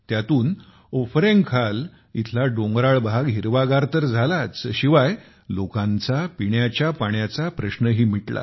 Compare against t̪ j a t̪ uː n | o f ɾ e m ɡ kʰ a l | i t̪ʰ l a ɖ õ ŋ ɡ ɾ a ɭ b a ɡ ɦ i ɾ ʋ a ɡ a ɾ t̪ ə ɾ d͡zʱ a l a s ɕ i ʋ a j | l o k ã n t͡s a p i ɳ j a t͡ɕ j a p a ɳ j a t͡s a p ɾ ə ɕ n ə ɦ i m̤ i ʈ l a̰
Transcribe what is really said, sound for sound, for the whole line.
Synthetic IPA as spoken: t̪ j a t̪ uː n | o f ɾ e ŋ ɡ kʰ a l | i t̪ʰ l a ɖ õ ŋ ɡ ɾ a ɭ b a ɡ ɦ i ɾ ʋ a ɡ a ɾ t̪ ə ɾ d͡zʱ a l a t͡s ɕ i ʋ a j | l o k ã n t͡s a p i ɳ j a t͡ɕ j a p a ɳ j a t͡s a p ɾ ə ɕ n ə ɦ iː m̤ i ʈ l a̰